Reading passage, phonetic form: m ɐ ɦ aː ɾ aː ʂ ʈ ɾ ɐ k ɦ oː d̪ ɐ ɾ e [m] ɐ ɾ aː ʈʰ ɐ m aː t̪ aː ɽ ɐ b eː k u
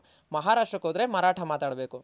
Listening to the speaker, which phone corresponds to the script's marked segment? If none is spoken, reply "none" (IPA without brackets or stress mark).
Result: m